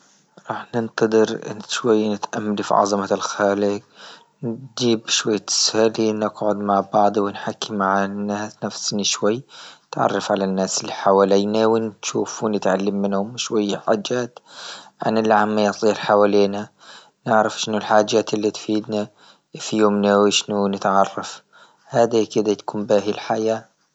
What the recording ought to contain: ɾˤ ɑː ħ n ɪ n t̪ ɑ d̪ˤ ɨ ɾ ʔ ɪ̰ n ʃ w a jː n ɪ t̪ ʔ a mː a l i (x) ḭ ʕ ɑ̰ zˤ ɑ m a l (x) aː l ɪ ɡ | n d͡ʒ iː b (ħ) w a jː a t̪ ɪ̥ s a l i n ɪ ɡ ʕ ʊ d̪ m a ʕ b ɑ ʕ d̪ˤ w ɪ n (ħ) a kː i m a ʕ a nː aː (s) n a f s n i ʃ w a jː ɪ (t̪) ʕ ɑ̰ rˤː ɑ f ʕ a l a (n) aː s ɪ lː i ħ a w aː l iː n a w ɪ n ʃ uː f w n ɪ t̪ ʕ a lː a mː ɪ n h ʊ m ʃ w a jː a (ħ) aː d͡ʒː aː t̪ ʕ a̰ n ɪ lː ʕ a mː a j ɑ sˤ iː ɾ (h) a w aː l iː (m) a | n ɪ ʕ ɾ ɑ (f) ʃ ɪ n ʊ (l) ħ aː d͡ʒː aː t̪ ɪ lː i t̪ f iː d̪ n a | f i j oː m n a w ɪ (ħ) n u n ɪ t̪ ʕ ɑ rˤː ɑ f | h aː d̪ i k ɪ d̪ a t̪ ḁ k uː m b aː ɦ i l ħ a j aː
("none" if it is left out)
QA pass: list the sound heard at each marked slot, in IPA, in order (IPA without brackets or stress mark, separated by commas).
f, x, ʃ, ħ, s, t̪, nː, ħ, ħ, n, f, l, ʃ